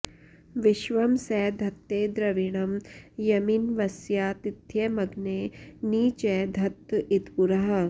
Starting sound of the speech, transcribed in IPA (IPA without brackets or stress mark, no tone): ʋ